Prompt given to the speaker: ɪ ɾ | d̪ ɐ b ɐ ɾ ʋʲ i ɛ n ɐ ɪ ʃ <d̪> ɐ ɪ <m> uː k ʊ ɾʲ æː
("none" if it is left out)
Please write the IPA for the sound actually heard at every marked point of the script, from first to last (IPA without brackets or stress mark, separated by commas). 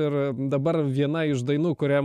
d̪, n